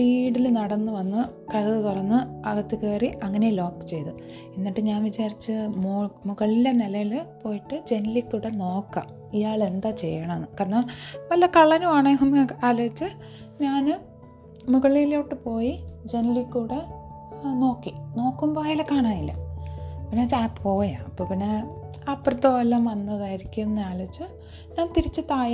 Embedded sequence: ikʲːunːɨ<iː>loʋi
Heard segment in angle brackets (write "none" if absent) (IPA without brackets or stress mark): aː